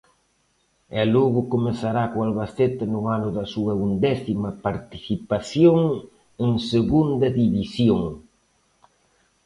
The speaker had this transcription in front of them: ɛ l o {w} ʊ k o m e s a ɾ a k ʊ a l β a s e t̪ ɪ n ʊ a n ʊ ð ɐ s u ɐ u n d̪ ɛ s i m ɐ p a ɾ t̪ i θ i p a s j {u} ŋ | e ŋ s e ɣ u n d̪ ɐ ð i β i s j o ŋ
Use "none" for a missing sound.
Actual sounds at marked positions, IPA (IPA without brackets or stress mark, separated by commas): ɣ, o